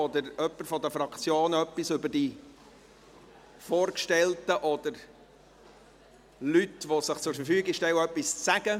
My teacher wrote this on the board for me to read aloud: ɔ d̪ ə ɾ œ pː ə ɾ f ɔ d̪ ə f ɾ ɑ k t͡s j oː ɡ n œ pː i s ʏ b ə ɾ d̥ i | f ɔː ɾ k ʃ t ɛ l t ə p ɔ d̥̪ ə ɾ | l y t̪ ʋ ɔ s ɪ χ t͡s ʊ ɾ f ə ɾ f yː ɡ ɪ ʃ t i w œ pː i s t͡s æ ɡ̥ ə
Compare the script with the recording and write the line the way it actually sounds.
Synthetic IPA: ɔ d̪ ə ɾ œ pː ə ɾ f ɔ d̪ ə f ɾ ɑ k t͡s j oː n œ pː i s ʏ b ə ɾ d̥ i | f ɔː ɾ k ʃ t ɛ l t ə ʔ ɔ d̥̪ ə ɾ | l y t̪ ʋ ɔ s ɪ χ t͡s ʊ ɾ f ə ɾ f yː ɡ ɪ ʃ t ɛ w œ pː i s t͡s æ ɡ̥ ə